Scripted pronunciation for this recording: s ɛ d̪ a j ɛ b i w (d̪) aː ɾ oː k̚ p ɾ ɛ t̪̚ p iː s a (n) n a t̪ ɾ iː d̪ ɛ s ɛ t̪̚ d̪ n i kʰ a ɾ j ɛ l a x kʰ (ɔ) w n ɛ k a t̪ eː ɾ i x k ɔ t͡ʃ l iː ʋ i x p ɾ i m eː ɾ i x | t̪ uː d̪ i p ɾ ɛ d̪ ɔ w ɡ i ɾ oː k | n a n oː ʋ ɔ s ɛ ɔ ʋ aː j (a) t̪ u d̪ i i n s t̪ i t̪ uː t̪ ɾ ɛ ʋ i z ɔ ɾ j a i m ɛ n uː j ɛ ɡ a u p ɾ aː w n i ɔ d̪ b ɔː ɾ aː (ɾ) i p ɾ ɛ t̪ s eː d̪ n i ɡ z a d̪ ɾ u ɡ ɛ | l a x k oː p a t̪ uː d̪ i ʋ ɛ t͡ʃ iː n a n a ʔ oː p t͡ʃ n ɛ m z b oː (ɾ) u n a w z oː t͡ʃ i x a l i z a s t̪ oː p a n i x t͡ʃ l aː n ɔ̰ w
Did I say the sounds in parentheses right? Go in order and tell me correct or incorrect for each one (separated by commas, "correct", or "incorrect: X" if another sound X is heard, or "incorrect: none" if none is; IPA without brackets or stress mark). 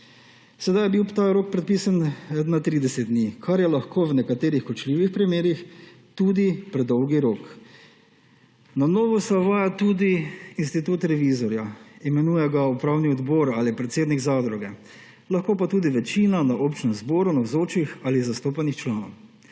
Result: incorrect: t̪, correct, incorrect: o, correct, incorrect: l, correct